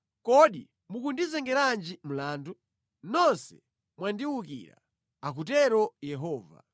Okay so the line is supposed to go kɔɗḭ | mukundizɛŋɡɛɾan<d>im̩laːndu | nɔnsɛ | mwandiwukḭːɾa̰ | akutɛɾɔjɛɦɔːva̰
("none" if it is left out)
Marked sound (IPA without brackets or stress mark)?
d͡ʒ